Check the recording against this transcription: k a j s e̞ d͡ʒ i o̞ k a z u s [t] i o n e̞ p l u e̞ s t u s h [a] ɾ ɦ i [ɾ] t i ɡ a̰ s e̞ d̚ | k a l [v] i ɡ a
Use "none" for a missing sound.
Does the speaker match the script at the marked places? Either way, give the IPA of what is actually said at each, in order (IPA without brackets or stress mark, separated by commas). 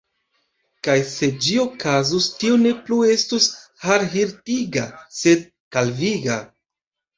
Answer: t, a, ɾ, v